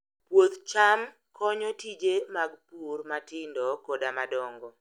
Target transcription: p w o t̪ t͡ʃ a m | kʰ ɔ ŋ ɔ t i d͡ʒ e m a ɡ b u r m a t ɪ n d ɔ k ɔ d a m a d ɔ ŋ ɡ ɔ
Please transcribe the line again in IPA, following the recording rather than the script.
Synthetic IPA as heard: p w o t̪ t͡ʃ a m | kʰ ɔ ɲ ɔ t i d͡ʒ e m a ɡ p u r m a t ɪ n d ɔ k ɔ d a m a d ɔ ŋ ɡ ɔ